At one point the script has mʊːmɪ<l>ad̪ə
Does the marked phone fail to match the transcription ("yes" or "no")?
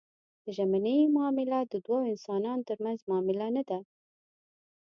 no